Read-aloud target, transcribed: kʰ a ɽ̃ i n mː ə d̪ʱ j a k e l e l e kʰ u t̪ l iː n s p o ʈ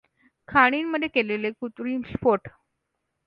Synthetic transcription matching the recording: kʰ a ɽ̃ i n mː ə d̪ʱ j e k e l e l e k u t̪ ɾ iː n s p o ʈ